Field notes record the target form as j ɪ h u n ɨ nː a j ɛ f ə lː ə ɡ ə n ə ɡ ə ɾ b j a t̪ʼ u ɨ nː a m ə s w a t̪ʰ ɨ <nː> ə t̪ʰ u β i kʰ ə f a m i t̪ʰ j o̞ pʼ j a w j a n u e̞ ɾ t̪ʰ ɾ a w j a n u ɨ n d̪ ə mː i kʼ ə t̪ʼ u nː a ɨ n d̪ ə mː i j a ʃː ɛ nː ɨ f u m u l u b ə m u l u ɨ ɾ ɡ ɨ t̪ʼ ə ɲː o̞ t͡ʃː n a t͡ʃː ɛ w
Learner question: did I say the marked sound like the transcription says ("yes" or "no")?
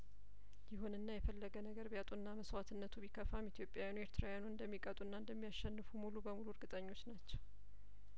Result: yes